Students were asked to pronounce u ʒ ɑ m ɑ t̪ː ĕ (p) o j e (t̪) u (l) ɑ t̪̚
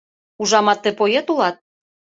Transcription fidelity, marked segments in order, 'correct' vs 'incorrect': correct, correct, correct

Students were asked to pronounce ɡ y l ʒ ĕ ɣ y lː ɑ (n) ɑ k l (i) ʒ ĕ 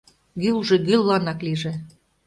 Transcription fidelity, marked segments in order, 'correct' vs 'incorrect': correct, correct

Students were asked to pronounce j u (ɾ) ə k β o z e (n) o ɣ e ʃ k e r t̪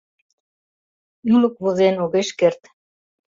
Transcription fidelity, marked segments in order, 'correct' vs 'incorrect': incorrect: l, correct

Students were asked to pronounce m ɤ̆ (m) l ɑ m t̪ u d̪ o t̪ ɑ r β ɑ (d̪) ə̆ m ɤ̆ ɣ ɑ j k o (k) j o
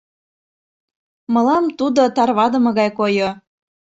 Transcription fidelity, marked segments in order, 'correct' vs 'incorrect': incorrect: none, correct, incorrect: none

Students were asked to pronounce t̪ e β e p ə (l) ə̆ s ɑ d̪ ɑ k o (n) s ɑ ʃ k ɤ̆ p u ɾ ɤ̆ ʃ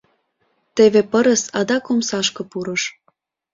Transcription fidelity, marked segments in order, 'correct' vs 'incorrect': incorrect: ɾ, incorrect: m

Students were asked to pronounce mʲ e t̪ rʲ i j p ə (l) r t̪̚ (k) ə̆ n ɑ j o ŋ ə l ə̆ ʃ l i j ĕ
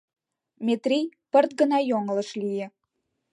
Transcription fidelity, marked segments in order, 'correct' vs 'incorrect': incorrect: none, incorrect: ɡ

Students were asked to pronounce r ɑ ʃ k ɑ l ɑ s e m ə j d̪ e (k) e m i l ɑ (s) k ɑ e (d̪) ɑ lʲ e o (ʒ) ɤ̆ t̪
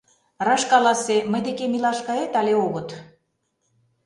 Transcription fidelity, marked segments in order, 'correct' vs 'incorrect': correct, incorrect: ʃ, incorrect: t̪, incorrect: ɣ

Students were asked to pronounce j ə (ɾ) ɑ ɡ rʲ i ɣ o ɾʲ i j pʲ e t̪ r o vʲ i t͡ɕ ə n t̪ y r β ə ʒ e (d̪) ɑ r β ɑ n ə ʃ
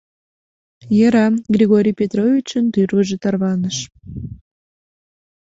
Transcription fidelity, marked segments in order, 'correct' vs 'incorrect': correct, incorrect: t̪

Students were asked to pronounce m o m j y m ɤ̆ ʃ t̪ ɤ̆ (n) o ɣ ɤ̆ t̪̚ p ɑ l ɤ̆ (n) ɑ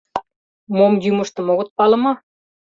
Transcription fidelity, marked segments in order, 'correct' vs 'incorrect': incorrect: m, incorrect: m

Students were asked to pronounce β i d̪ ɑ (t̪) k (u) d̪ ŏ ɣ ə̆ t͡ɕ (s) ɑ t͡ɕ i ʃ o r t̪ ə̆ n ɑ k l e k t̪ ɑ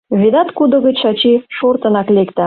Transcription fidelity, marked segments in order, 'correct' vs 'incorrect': correct, correct, incorrect: ʃ

